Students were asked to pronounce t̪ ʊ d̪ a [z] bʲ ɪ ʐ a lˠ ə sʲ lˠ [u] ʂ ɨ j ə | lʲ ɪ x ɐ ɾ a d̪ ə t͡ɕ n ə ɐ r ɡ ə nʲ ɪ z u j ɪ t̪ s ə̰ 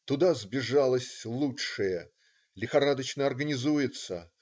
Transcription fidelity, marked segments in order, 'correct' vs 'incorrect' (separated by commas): correct, correct